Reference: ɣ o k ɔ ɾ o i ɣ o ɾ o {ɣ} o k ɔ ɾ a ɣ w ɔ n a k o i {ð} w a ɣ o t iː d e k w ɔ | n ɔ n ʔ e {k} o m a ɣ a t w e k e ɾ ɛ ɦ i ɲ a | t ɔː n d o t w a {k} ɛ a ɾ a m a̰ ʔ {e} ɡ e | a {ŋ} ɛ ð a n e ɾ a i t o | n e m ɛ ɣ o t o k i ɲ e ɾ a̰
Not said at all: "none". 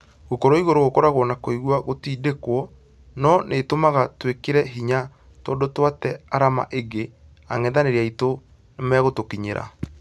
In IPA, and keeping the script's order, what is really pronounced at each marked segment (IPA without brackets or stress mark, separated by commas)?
ɣ, ɣ, t, t, e, ŋ